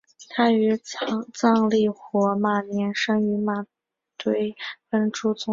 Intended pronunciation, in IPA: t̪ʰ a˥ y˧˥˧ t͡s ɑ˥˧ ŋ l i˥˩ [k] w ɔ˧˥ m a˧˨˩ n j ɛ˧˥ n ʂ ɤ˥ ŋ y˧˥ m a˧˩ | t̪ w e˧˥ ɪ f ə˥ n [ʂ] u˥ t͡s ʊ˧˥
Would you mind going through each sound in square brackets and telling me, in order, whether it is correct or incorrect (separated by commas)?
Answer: incorrect, incorrect